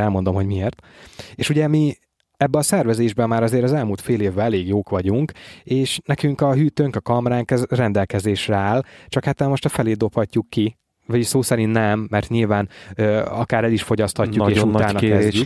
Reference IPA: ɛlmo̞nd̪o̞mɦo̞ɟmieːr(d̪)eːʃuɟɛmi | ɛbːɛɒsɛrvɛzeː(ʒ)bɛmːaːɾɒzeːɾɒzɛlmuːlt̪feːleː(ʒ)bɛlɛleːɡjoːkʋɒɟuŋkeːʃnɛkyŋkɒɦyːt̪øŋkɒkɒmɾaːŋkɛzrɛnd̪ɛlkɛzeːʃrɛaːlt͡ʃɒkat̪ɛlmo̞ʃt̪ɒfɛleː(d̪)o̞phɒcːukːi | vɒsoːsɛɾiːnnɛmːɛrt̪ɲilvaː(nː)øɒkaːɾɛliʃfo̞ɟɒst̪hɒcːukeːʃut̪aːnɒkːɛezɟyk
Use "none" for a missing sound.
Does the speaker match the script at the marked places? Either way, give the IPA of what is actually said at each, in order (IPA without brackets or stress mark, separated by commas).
t̪, ʒ, v, d̪, n